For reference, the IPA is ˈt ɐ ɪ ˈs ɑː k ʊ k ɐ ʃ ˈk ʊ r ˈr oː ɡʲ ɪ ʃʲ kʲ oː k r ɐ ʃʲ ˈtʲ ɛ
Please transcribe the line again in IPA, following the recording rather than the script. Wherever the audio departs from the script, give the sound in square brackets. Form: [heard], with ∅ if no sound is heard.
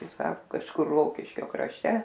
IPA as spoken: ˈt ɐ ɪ ˈs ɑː k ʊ k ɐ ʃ ˈk ʊ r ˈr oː [kʲ] ɪ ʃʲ kʲ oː k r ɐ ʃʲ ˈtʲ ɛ